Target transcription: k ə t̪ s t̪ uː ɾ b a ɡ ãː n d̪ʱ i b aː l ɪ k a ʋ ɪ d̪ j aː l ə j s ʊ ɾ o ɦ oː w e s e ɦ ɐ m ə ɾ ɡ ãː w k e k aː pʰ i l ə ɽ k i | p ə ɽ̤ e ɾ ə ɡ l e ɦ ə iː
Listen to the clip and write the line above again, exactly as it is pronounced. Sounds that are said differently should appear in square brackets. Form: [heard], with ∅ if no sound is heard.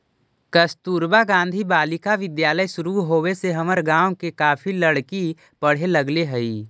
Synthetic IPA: k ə [∅] s t̪ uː ɾ b a ɡ ãː n d̪ʱ i b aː l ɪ k a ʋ ɪ d̪ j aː l ə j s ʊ ɾ [u] ɦ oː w e s e ɦ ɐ m ə ɾ ɡ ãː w k e k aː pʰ i l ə ɽ k i | p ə ɽ̤ e [l] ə ɡ l e ɦ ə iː